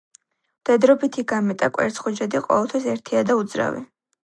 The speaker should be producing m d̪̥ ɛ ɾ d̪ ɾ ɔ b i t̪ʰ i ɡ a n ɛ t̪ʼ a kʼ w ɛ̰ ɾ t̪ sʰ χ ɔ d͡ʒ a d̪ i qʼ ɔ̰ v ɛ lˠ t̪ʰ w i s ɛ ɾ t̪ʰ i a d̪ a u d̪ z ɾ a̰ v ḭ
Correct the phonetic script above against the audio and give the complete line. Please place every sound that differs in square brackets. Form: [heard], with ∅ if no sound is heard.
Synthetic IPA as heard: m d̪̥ ɛ [∅] d̪ ɾ ɔ b i t̪ʰ i ɡ a [m] ɛ t̪ʼ a kʼ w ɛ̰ ɾ t̪ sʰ χ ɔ d͡ʒ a d̪ i qʼ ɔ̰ v ɛ lˠ t̪ʰ w i s ɛ ɾ t̪ʰ i a d̪ a u d̪ z ɾ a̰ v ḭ